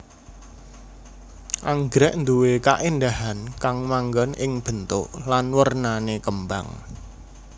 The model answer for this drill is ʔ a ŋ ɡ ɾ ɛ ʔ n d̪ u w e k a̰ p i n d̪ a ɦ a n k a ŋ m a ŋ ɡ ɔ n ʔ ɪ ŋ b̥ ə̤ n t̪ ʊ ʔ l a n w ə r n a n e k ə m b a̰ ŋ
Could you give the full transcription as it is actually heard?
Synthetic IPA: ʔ a ŋ ɡ ɾ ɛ ʔ n d̪ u w e k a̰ ʔ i n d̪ a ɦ a n k a ŋ m a ŋ ɡ ɔ n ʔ ɪ ŋ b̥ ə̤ n t̪ ʊ ʔ l a n w ə r n a n e k ə m b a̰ ŋ